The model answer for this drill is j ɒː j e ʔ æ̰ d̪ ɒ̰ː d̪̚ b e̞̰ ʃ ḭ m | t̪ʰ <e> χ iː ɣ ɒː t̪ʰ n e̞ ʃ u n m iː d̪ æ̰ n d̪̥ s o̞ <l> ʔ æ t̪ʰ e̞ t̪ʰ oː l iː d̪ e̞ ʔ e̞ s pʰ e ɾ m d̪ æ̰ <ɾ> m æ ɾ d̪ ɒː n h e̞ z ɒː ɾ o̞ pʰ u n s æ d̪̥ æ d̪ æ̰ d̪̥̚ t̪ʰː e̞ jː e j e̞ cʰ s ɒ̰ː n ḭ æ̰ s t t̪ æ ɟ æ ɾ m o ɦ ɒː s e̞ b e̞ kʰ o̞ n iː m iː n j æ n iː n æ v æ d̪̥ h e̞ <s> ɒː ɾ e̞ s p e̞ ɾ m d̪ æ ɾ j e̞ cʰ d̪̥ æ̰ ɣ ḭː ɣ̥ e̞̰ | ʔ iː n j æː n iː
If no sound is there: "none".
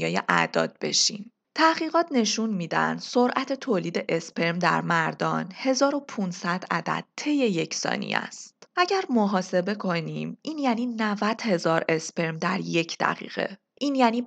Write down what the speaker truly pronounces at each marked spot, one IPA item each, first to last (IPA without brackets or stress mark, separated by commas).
æ, ɾ, ɾ, z